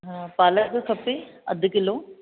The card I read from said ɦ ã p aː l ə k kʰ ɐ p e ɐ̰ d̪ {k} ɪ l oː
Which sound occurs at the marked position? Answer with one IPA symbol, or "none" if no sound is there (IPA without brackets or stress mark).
k